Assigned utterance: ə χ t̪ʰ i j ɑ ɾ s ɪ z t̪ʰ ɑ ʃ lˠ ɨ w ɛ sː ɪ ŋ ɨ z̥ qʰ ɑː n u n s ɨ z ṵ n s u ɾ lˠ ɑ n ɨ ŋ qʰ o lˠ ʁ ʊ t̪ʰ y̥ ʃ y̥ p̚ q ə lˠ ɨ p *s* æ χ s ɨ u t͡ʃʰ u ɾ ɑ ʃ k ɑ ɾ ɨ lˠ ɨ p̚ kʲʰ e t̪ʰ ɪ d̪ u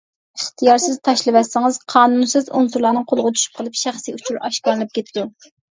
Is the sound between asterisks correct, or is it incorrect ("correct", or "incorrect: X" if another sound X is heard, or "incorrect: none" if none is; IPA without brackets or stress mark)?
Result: incorrect: ʃ